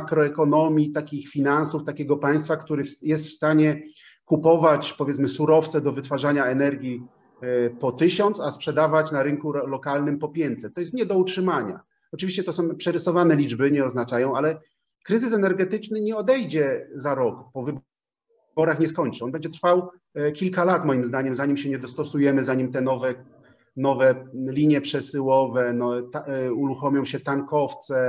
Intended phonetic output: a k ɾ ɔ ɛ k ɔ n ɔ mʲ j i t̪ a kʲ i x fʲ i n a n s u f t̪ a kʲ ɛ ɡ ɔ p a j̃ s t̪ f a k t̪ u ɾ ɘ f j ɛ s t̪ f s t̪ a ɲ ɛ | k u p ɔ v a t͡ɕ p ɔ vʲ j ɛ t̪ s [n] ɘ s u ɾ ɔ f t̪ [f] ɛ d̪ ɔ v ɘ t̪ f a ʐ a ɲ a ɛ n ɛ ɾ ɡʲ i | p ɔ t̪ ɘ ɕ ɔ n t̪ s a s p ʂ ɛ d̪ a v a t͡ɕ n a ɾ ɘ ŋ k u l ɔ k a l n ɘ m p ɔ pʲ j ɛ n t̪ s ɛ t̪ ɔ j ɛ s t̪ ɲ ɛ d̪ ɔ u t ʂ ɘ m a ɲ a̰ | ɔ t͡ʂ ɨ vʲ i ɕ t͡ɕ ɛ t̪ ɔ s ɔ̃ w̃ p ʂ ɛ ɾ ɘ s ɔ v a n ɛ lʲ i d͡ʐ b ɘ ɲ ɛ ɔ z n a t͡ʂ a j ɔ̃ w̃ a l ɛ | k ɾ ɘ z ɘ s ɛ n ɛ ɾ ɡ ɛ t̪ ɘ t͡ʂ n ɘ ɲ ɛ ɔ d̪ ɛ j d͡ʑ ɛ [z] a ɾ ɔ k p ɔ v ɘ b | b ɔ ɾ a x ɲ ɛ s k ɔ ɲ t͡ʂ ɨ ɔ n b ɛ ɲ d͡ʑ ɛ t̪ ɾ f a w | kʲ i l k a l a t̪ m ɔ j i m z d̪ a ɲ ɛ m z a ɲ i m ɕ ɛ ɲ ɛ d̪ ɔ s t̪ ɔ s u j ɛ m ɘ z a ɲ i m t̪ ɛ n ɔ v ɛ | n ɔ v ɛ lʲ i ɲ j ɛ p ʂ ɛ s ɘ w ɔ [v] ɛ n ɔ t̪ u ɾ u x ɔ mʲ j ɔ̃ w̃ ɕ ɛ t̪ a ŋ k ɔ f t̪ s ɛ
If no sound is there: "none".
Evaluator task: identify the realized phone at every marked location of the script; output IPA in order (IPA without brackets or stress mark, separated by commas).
m, s, z, v